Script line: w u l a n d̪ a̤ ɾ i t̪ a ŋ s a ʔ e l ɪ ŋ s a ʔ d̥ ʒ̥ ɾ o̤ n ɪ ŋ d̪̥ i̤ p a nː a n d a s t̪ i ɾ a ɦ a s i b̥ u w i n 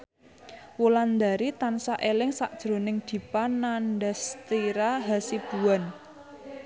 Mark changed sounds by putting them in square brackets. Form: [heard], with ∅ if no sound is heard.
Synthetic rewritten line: w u l a n d̪ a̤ ɾ i t̪ a [n] s a ʔ e l ɪ ŋ s a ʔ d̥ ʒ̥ ɾ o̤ n ɪ ŋ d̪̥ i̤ p a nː a n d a s t̪ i ɾ a ɦ a s i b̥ u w [a] n